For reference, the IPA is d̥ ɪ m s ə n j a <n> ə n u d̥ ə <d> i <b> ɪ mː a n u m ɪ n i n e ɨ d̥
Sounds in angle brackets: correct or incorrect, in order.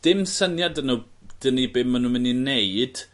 incorrect, incorrect, correct

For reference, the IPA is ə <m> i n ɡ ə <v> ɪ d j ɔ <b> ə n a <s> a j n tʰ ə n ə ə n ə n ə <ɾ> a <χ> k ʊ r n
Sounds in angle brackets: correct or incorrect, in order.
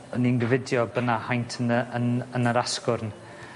incorrect, correct, correct, incorrect, correct, incorrect

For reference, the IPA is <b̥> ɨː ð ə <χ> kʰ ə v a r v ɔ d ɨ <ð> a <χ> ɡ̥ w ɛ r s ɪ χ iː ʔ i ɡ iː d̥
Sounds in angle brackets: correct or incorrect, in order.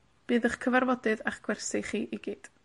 correct, correct, correct, correct

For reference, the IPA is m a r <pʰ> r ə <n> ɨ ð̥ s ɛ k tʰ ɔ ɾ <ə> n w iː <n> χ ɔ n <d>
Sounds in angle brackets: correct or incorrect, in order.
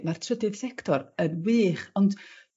incorrect, incorrect, correct, incorrect, correct

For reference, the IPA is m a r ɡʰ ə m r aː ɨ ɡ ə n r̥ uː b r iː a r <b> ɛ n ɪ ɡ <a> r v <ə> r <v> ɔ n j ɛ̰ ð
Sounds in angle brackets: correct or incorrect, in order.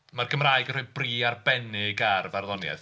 correct, correct, incorrect, incorrect

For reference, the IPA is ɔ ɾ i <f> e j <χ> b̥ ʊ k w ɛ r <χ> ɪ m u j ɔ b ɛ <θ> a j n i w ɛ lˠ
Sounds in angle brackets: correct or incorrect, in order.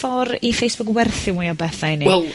correct, incorrect, incorrect, correct

